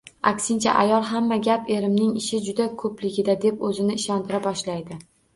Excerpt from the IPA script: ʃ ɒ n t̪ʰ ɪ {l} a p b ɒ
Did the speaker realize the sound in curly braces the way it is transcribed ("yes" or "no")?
no